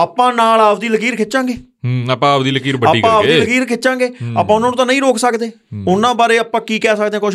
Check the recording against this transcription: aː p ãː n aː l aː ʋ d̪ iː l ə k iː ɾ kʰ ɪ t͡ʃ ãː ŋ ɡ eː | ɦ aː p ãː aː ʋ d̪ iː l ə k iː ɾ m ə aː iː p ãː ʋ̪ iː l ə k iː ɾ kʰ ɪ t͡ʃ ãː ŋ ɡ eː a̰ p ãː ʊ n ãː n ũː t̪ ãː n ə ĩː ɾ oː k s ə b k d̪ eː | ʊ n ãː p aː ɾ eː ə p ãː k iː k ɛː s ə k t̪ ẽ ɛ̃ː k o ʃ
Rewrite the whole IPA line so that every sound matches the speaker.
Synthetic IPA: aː p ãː n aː l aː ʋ d̪ iː l ə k iː ɾ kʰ ɪ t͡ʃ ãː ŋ ɡ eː | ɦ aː p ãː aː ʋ d̪ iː l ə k iː ɾ b ə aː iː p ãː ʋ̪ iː l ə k iː ɾ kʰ ɪ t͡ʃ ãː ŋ ɡ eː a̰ p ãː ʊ n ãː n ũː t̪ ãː n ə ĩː ɾ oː k s ə k d̪ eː | ʊ n ãː b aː ɾ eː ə p ãː k iː k ɛː s ə k d̪ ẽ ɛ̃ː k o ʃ